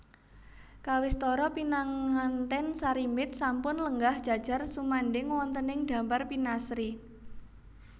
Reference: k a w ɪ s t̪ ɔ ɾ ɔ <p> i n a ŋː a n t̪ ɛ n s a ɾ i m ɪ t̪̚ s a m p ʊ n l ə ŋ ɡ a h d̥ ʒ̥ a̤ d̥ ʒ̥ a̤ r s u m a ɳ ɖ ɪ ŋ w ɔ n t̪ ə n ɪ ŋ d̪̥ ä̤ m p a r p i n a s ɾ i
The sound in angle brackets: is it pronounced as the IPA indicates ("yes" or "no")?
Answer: yes